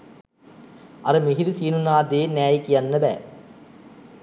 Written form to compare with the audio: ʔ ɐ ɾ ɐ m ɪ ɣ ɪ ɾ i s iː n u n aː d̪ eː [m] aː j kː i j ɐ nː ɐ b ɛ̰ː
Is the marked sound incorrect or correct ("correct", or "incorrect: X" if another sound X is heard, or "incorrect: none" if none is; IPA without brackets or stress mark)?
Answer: incorrect: n